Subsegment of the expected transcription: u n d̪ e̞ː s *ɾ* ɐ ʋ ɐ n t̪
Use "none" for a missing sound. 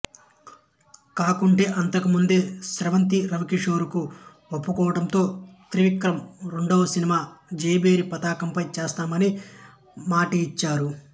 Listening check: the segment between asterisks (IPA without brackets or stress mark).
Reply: ɾ